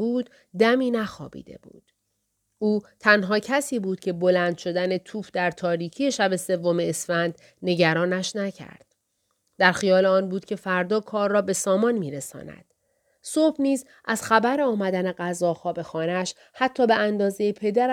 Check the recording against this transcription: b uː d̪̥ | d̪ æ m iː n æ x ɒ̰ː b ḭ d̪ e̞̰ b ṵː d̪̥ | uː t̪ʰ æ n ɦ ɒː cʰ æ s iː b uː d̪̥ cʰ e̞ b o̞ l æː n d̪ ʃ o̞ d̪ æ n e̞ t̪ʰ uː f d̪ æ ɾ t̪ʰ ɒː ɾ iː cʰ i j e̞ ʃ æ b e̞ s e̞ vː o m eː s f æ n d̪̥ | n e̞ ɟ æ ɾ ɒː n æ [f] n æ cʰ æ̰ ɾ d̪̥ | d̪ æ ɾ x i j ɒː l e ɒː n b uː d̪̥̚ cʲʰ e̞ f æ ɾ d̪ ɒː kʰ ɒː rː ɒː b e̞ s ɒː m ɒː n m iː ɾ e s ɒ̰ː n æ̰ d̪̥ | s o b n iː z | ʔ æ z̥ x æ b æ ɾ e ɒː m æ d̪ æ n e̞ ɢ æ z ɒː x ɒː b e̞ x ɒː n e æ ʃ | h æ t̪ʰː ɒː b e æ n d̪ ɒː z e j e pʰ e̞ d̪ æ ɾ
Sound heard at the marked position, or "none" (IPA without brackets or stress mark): ʃ